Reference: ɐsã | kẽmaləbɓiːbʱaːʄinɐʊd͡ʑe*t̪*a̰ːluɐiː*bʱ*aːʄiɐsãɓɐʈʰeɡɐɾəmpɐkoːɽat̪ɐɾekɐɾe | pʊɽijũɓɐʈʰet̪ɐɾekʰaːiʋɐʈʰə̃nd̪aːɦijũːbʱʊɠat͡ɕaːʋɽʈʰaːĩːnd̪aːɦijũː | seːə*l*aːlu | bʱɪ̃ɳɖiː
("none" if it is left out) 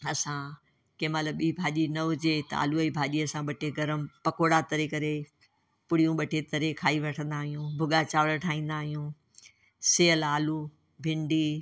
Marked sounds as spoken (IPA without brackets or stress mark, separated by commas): t̪, bʱ, l